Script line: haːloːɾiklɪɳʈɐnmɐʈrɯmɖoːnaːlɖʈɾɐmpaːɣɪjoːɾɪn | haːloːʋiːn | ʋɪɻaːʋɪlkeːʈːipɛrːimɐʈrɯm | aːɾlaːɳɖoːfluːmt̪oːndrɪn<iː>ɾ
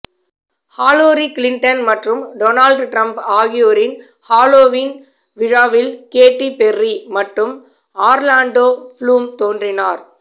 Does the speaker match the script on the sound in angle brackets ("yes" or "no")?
no